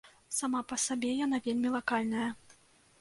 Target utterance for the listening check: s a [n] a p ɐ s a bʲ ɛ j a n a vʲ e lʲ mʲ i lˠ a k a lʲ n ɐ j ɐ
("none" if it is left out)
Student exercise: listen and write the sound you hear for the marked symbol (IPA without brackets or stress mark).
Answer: m